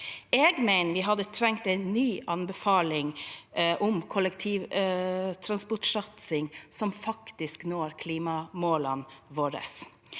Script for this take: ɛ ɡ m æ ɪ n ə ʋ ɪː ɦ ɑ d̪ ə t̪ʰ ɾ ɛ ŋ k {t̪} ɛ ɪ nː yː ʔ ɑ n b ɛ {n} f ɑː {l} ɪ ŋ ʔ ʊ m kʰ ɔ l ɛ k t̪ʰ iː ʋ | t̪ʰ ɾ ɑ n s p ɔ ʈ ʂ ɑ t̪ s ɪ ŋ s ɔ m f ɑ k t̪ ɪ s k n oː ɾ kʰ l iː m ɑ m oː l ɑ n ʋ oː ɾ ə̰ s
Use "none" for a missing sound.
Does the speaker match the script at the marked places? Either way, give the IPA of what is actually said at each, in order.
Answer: t̪, none, l

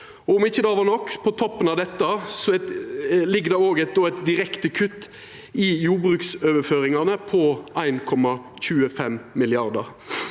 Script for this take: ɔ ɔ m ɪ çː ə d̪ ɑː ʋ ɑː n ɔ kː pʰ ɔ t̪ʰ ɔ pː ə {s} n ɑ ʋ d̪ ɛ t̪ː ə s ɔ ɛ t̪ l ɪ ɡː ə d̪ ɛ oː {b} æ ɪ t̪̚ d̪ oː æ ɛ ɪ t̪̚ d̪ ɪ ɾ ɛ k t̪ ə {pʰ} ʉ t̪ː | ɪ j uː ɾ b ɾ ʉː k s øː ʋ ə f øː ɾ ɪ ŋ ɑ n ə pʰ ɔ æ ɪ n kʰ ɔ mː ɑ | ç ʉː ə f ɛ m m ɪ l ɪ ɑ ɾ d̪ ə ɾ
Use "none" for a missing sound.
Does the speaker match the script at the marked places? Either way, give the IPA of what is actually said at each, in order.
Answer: none, ɡ, kʰ

